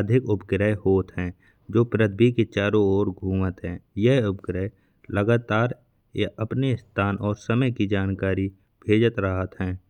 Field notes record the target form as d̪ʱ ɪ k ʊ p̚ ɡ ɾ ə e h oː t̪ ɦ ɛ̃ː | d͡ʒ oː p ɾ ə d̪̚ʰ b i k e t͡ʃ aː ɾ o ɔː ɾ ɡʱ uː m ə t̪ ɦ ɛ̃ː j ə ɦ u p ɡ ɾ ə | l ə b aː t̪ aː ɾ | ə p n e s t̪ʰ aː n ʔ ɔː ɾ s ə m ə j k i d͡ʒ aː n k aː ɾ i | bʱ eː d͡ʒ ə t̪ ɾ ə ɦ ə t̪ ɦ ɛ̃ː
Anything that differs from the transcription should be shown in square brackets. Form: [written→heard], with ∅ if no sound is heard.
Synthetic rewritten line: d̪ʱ ɪ k ʊ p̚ ɡ ɾ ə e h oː t̪ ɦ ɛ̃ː | d͡ʒ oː p ɾ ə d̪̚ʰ b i k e t͡ʃ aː ɾ o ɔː ɾ ɡʱ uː m ə t̪ ɦ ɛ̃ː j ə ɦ [u→ʊ] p ɡ ɾ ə | l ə [b→ɡ] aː t̪ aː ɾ | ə p n e s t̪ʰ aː n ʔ ɔː ɾ s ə m ə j k i d͡ʒ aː n k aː ɾ i | bʱ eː d͡ʒ ə t̪ ɾ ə ɦ ə t̪ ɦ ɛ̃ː

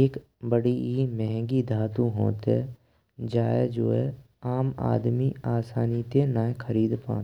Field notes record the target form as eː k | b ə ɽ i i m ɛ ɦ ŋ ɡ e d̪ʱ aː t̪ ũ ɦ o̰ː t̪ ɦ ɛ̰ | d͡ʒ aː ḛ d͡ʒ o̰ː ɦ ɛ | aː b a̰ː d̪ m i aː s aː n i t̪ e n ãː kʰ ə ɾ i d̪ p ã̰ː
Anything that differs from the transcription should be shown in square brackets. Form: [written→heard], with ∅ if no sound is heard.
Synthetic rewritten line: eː k | b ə ɽ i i m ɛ ɦ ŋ ɡ [e→i] d̪ʱ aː t̪ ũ ɦ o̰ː t̪ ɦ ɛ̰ | d͡ʒ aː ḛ d͡ʒ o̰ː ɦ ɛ | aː [b→m] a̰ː d̪ m i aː s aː n i t̪ e n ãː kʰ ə ɾ [i→iː] d̪ p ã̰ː

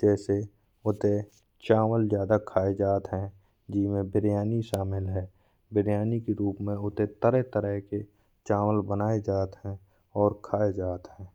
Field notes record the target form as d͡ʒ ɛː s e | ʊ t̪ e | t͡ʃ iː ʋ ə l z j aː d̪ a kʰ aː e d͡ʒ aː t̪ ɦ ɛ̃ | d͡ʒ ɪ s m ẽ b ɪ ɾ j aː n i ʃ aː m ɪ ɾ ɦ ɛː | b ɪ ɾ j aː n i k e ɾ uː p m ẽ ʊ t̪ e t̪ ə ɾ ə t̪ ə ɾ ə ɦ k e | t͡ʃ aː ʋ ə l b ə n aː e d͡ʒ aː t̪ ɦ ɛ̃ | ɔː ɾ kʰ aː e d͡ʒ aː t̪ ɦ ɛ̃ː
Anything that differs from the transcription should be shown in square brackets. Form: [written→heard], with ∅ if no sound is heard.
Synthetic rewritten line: d͡ʒ ɛː s e | ʊ t̪ e | t͡ʃ [iː→aː] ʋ ə l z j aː d̪ a kʰ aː e d͡ʒ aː t̪ ɦ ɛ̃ | d͡ʒ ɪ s m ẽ b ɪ ɾ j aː n i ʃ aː m ɪ [ɾ→l] ɦ ɛː | b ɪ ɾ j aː n i k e ɾ uː p m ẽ ʊ t̪ e t̪ ə ɾ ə t̪ ə ɾ ə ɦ k e | t͡ʃ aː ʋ ə l b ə n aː e d͡ʒ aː t̪ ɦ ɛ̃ | ɔː ɾ kʰ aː e d͡ʒ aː t̪ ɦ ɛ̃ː

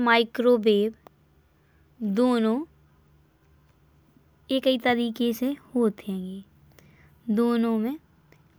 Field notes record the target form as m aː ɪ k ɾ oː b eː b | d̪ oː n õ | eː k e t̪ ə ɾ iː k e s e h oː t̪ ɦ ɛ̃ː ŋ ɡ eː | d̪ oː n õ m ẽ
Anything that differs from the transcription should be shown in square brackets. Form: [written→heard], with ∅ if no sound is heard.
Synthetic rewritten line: m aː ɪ k ɾ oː b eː b | d̪ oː n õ | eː k [e→i] t̪ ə ɾ iː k e s e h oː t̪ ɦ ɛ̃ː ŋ ɡ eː | d̪ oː n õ m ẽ

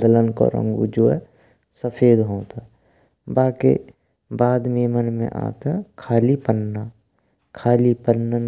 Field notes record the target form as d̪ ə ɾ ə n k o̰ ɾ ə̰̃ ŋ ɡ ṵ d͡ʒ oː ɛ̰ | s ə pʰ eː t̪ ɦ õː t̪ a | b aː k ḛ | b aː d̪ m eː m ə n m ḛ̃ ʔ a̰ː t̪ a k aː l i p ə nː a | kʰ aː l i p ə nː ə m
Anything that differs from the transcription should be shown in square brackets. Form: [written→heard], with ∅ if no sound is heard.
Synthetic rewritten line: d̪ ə [ɾ→l] ə n k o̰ ɾ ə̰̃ ŋ ɡ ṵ d͡ʒ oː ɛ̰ | s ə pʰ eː [t̪→d̪] ɦ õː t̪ a | b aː k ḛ | b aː d̪ m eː m ə n m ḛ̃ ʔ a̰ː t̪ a [k→kʰ] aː l i p ə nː a | kʰ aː l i p ə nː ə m

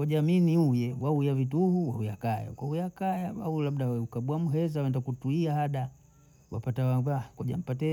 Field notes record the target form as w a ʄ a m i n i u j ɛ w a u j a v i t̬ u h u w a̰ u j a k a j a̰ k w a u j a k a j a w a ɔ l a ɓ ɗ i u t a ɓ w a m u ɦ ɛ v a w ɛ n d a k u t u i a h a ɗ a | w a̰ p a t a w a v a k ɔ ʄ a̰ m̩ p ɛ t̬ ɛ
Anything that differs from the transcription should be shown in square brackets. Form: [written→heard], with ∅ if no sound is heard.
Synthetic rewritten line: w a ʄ a m i n i u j ɛ w a u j a v i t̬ u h u w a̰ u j a k a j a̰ k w a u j a k a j a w a [ɔ→u] l a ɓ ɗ [i→a] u [t→k] a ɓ w a m u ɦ ɛ [v→z] a w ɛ n d a k u t u i a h a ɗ a | w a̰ p a t a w a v a k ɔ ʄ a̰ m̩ p [ɛ→a] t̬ ɛ

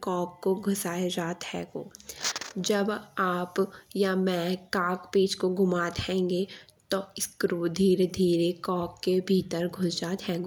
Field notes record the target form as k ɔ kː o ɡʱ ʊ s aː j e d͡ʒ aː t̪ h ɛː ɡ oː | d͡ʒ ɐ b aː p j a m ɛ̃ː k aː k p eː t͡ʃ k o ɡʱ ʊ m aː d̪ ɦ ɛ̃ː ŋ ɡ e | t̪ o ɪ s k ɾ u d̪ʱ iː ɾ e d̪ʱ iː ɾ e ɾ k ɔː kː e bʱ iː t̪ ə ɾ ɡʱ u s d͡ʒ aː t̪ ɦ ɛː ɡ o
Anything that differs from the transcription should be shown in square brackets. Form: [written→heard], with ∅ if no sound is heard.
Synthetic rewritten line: k [ɔ→ɔː] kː o ɡʱ ʊ s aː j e d͡ʒ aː t̪ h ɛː ɡ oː | d͡ʒ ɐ b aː p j a m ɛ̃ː k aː k p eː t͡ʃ k o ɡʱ ʊ m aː [d̪→t̪] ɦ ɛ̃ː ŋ ɡ e | t̪ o ɪ s k ɾ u d̪ʱ iː ɾ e d̪ʱ iː ɾ e [ɾ→∅] k ɔː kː e bʱ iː t̪ ə ɾ ɡʱ [u→ʊ] s d͡ʒ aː t̪ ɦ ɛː ɡ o

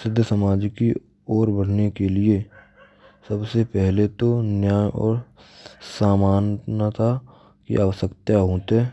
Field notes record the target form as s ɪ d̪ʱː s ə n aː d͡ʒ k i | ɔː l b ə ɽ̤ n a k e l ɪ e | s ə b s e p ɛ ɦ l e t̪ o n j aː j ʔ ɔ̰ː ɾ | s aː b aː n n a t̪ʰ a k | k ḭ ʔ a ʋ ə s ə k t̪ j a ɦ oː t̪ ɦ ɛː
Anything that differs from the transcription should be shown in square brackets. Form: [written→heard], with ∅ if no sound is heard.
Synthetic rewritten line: s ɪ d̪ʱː s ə [n→m] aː d͡ʒ k i | ɔː [l→ɾ] b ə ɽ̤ n [a→e] k e l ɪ e | s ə b s e p ɛ ɦ l e t̪ o n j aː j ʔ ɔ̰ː ɾ | s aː [b→m] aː n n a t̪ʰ a [k→∅] | k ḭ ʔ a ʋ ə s ə k t̪ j a ɦ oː t̪ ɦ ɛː

